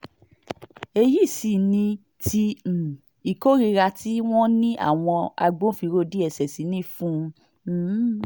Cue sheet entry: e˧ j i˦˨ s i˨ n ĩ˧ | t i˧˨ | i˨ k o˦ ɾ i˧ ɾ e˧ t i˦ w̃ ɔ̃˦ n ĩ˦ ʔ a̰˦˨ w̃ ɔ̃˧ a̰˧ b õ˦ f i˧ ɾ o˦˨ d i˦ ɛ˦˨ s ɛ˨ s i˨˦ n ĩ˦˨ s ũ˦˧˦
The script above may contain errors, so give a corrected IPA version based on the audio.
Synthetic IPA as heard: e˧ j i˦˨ s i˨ n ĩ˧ | t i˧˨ | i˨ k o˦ ɾ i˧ ɾ a˧ t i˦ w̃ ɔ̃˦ n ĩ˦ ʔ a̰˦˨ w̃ ɔ̃˧ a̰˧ ɡ͡b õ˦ f i˧ ɾ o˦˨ d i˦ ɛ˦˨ s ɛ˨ s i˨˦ n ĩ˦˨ f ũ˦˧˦